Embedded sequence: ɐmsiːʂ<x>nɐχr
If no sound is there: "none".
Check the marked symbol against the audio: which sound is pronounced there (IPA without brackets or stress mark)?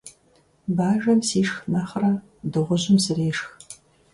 x